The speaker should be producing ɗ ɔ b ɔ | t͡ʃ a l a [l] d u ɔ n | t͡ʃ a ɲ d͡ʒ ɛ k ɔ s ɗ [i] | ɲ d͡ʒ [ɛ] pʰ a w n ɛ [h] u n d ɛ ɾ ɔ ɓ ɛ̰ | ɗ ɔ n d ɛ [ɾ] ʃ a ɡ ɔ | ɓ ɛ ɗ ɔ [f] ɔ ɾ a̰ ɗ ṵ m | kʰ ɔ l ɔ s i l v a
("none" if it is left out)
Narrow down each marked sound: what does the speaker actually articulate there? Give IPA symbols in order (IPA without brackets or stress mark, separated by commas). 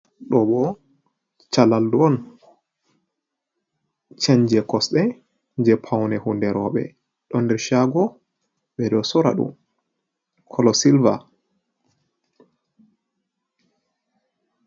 l, ɛ, ɛ, h, ɾ, s